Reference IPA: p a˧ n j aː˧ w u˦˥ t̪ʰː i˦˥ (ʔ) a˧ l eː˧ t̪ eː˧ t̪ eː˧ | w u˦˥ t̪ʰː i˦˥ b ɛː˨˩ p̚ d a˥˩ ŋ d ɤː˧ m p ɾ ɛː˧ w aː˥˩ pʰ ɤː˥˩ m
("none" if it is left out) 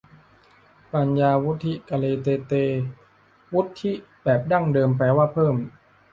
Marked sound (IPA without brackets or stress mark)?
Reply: k